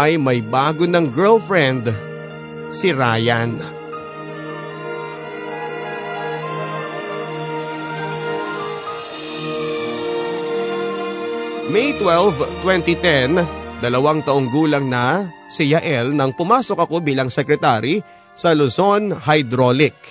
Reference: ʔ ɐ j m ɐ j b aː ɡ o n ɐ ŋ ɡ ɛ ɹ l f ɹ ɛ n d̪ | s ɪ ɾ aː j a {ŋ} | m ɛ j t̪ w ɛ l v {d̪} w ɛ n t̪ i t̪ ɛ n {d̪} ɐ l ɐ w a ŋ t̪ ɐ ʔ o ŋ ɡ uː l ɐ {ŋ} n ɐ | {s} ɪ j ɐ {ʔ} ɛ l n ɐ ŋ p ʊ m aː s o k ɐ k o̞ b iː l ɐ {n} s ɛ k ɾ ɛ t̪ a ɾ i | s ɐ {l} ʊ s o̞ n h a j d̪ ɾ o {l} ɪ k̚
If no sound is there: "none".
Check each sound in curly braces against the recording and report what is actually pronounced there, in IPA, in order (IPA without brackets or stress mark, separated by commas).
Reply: n, t̪, d̪, ŋ, s, ʔ, ŋ, l, l